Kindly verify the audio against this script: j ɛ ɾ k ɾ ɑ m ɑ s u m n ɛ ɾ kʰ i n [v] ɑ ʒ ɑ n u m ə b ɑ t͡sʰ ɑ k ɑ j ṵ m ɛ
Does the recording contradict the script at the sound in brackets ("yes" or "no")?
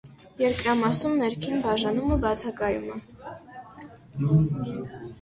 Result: yes